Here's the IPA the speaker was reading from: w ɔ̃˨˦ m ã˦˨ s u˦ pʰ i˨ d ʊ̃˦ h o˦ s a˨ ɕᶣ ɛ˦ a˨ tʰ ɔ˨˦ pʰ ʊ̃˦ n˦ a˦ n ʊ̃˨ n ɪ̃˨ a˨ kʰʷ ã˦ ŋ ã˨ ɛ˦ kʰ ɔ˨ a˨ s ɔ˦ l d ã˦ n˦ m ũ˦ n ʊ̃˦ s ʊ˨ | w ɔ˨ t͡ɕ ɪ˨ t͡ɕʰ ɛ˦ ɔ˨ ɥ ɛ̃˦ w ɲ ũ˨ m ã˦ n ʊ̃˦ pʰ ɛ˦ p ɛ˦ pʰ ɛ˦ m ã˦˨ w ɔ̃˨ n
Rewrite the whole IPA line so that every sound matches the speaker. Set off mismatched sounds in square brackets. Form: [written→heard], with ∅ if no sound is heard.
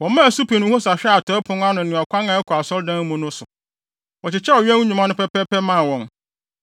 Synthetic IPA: w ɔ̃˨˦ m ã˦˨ s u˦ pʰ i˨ [d→n] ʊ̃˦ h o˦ s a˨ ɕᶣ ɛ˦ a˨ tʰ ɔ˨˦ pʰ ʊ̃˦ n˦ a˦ n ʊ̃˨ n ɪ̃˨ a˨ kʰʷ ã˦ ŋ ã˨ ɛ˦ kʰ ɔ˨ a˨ s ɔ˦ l d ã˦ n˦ m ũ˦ n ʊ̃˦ s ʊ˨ | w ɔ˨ t͡ɕ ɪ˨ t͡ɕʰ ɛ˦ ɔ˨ ɥ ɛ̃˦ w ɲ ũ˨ m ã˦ n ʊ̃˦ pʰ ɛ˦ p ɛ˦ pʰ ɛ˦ m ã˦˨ w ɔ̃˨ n